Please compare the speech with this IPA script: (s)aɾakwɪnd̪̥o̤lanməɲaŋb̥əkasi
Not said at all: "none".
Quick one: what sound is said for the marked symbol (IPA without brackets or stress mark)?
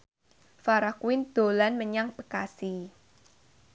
f